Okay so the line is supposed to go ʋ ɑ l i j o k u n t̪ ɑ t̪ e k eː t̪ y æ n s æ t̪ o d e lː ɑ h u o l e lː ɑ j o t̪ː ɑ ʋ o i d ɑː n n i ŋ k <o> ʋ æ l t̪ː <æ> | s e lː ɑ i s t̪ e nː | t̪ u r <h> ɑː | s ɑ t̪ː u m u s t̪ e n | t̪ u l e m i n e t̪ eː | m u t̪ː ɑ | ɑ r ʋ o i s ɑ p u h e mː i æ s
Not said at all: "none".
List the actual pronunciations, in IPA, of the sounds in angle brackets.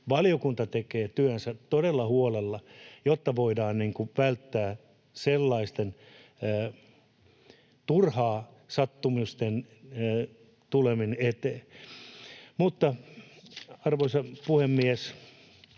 u, æː, h

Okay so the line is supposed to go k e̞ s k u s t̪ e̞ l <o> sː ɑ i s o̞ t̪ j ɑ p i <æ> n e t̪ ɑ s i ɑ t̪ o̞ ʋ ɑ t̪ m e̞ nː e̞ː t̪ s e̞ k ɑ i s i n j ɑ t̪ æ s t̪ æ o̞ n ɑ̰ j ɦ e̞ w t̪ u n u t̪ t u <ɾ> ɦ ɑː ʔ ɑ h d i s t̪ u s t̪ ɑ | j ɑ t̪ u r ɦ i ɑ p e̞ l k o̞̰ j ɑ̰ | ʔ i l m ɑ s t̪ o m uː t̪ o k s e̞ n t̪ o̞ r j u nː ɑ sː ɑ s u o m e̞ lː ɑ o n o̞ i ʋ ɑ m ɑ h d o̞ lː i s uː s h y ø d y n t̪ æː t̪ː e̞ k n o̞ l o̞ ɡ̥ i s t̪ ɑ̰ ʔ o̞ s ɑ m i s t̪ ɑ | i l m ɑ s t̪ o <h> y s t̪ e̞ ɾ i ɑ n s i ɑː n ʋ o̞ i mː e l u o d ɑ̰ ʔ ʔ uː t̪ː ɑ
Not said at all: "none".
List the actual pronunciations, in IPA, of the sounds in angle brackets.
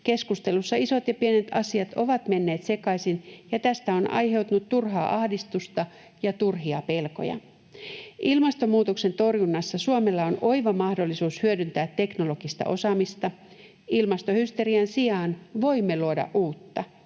u, e, r, h

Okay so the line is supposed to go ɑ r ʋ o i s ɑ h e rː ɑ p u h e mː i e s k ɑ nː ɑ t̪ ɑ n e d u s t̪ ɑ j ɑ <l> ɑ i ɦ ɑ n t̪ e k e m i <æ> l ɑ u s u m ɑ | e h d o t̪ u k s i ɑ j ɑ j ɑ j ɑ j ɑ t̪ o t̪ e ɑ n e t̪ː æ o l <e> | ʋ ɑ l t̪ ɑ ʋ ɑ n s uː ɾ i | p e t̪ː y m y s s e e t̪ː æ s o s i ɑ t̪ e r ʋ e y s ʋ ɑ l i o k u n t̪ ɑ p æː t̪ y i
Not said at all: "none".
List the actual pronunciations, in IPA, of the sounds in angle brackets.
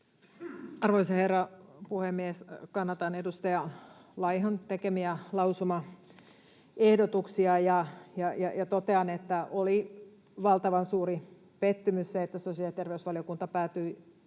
l, æ, i

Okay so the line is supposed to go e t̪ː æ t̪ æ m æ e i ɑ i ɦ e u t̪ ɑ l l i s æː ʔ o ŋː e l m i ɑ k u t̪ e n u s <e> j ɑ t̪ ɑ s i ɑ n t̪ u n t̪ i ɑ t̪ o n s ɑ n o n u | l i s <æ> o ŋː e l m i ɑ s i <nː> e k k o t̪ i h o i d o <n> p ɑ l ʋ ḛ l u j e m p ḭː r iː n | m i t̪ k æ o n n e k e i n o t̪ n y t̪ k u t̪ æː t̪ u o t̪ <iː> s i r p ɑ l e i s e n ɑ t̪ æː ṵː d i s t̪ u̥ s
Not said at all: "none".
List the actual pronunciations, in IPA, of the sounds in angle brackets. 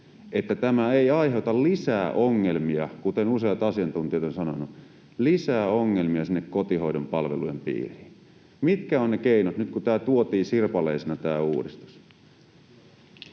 e, æː, nː, m, iː

